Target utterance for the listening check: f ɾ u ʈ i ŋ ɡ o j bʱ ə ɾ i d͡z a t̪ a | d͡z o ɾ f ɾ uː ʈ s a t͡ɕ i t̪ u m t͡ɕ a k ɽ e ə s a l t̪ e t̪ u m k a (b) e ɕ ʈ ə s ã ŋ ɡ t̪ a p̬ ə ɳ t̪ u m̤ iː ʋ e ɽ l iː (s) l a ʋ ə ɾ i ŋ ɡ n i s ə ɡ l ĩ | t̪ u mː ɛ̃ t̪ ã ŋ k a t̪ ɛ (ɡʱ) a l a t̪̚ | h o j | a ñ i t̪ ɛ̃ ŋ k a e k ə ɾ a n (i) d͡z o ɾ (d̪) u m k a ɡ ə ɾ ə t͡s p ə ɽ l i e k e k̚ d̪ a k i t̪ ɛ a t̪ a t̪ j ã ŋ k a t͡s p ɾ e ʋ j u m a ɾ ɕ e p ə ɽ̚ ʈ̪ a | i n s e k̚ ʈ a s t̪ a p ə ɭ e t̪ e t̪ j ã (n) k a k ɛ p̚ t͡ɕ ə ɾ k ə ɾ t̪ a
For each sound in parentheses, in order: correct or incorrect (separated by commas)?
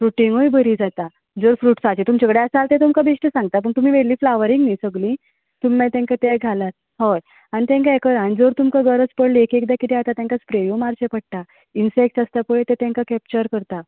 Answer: correct, incorrect, correct, correct, incorrect, incorrect